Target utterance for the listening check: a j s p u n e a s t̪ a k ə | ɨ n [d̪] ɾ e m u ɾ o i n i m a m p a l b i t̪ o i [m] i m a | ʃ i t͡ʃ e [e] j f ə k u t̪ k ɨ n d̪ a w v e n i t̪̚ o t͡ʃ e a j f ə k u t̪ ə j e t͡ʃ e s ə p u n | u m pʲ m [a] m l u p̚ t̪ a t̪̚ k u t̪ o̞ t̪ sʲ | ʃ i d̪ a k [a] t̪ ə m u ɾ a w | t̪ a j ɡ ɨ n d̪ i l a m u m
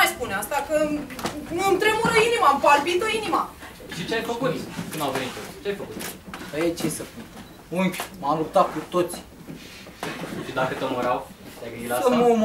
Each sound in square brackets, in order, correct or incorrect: incorrect, incorrect, incorrect, correct, incorrect

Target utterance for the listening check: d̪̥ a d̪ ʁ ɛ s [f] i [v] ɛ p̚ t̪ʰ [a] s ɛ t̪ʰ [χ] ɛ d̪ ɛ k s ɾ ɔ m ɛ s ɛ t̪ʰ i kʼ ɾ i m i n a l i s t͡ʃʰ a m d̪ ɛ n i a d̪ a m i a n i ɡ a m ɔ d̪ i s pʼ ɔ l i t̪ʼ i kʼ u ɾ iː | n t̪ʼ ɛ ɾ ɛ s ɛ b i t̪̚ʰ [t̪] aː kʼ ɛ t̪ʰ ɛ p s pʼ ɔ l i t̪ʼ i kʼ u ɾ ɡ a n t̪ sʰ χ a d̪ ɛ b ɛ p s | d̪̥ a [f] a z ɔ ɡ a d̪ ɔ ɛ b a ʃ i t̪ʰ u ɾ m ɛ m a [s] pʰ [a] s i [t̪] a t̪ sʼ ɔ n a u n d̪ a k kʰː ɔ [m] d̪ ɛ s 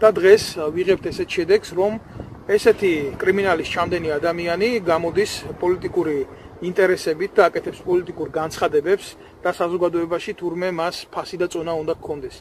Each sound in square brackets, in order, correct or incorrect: incorrect, incorrect, incorrect, incorrect, incorrect, incorrect, correct, correct, incorrect, incorrect

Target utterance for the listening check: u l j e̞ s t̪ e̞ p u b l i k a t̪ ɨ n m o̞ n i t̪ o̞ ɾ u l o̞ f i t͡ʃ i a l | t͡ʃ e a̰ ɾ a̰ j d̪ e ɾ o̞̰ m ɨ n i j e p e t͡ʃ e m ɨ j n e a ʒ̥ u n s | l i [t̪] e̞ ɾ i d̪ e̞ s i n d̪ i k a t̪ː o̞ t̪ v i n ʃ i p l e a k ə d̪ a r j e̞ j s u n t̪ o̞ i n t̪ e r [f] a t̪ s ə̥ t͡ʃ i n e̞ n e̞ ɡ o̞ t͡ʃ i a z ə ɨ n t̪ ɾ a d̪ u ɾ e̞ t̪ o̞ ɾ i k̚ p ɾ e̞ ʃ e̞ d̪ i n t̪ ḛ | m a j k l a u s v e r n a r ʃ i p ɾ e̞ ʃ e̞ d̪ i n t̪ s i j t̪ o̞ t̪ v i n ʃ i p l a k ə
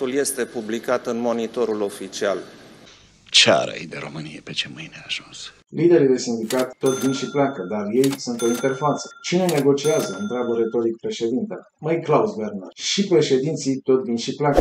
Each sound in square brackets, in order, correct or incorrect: incorrect, correct

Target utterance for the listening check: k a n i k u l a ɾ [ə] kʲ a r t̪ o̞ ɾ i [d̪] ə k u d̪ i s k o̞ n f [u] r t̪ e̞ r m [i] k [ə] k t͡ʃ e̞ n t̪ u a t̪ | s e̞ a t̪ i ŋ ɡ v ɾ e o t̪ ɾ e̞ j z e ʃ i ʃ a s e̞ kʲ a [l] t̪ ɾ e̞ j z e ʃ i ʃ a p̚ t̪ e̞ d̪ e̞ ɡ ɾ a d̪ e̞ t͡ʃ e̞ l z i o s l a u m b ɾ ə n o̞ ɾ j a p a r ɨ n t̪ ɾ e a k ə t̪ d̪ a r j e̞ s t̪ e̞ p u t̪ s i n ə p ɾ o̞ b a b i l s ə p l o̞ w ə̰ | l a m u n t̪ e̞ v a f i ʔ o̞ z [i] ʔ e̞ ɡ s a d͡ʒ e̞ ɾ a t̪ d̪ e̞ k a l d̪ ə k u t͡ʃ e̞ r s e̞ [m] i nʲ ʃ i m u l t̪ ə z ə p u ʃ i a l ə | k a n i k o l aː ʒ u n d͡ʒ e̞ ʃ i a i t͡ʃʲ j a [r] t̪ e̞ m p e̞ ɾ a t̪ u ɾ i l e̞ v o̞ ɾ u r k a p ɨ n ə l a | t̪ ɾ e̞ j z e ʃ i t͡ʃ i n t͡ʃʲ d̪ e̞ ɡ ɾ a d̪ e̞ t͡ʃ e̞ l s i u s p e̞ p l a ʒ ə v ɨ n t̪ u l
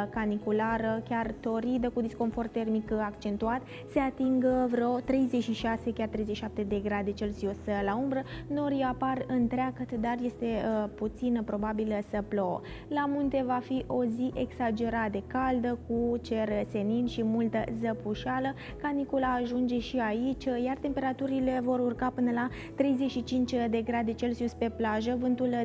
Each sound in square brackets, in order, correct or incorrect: correct, correct, incorrect, correct, incorrect, incorrect, correct, incorrect, correct

